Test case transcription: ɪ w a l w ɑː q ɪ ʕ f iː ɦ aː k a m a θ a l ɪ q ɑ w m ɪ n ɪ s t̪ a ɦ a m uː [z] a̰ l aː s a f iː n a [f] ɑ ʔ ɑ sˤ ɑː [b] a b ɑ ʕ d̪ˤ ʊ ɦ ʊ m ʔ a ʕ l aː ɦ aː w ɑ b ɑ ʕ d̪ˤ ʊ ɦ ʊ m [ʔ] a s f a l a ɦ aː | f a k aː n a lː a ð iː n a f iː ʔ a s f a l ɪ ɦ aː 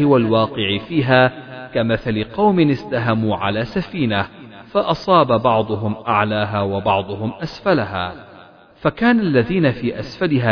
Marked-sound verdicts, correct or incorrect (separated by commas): incorrect, correct, correct, correct